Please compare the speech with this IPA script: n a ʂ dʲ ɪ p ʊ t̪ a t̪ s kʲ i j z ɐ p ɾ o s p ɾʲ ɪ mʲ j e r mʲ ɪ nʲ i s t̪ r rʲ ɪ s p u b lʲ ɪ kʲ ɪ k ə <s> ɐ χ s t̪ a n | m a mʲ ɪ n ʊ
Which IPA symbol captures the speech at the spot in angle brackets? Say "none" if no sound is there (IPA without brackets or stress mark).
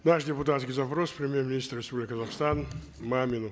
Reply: z